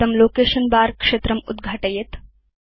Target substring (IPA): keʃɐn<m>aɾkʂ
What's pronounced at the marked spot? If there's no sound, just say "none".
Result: b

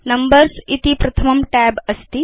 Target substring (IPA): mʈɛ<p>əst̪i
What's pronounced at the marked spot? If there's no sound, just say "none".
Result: b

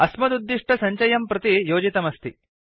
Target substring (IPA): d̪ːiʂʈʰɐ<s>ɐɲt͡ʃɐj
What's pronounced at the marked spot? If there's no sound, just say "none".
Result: s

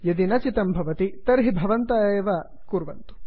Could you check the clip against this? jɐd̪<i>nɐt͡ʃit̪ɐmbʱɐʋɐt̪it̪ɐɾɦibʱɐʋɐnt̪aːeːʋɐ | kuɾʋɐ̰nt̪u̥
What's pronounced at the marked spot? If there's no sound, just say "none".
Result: i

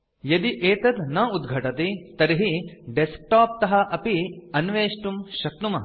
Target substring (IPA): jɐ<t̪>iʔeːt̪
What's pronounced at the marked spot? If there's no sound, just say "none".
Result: d̪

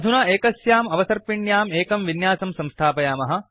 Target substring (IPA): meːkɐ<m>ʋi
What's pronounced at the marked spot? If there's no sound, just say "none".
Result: m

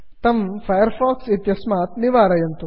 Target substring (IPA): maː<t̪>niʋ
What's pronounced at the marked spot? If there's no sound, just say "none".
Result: t̪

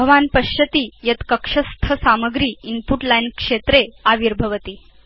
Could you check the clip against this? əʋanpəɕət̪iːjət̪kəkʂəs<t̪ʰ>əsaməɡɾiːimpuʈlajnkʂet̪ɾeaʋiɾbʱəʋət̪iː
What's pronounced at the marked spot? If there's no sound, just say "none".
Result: t̪ʰ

